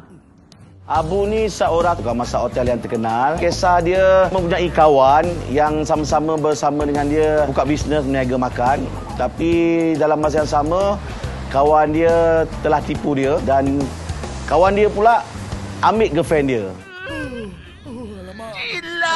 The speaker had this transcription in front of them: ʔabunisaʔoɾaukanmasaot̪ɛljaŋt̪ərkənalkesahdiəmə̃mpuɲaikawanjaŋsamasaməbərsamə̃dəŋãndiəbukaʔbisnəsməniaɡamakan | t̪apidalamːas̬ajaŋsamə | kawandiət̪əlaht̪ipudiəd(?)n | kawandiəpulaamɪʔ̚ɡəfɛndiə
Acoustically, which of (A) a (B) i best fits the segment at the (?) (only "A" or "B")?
A